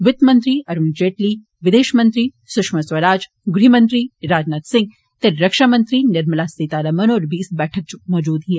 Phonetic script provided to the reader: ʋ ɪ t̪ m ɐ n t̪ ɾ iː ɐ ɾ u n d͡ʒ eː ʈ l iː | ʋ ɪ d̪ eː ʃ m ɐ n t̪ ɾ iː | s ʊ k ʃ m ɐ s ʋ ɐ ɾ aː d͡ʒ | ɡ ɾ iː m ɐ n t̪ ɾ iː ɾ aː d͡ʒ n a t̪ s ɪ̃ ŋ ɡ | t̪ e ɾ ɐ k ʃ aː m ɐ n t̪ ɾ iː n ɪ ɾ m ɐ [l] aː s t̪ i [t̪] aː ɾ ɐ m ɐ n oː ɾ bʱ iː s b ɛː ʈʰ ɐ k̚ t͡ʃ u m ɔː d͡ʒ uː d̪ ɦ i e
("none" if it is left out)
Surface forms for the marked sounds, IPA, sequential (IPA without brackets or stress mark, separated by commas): l, t̪